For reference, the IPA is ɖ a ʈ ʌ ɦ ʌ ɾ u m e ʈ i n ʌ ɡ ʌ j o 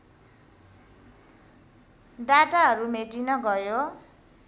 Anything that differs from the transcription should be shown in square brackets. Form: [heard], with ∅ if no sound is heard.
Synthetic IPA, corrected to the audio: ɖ a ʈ [a] ɦ ʌ ɾ u m e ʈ i n ʌ ɡ ʌ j o